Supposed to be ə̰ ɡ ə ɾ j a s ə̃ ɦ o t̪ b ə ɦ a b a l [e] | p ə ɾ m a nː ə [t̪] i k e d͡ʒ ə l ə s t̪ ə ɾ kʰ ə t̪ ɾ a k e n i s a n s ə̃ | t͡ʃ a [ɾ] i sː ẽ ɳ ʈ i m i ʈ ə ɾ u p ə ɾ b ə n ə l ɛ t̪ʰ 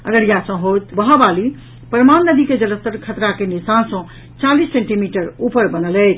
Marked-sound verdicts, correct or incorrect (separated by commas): incorrect, incorrect, incorrect